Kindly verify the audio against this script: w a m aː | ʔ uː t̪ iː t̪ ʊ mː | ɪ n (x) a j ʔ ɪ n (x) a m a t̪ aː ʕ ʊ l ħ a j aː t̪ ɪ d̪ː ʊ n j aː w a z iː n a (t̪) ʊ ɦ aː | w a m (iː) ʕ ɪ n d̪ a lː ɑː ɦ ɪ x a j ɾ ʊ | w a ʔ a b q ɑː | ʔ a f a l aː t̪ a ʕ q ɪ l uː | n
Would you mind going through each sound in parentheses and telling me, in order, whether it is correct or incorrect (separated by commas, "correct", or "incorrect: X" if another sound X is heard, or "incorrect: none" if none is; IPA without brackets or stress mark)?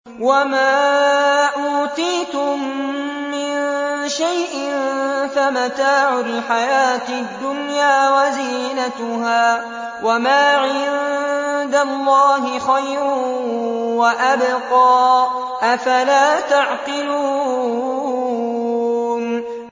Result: incorrect: ʃ, incorrect: f, correct, incorrect: aː